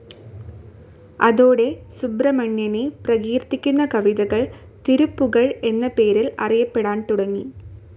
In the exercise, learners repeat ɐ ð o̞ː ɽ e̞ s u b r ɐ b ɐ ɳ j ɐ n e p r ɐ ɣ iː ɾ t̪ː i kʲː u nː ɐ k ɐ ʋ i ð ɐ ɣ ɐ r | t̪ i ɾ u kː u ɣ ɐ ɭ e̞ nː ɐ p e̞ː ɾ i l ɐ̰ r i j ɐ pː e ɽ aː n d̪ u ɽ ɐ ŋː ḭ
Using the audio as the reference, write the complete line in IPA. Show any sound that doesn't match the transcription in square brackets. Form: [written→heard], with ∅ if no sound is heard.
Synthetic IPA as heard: ɐ ð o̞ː ɽ e̞ s u b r ɐ [b→m] ɐ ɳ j ɐ n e p r ɐ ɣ iː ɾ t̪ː i kʲː u nː ɐ k ɐ ʋ i ð ɐ ɣ ɐ [r→ɭ] | t̪ i ɾ u [kː→pː] u ɣ ɐ ɭ e̞ nː ɐ p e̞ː ɾ i l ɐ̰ r i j ɐ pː e ɽ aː n [d̪→t̪] u ɽ ɐ ŋː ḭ